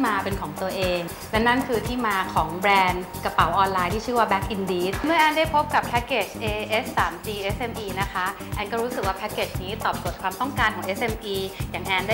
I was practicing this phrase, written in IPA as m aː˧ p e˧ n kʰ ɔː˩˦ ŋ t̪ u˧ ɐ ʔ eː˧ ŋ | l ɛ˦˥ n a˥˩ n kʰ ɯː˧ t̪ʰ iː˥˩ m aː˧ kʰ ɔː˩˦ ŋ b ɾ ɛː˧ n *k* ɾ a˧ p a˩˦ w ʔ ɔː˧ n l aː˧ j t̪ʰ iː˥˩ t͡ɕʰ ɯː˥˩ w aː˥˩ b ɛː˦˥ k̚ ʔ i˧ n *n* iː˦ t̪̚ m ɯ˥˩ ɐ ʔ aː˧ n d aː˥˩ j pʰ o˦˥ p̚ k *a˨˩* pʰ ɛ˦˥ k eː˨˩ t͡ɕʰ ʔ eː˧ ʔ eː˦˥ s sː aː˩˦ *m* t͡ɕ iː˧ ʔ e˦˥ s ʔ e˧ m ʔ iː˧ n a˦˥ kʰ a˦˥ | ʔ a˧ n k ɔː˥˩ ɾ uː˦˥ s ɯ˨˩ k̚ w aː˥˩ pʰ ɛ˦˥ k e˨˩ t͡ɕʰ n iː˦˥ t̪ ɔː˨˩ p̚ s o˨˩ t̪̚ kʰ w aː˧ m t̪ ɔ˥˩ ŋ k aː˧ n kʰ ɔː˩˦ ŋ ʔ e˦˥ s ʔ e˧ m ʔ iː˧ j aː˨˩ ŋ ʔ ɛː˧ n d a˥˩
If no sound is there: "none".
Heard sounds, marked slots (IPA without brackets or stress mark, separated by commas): k, d, a˨˩, m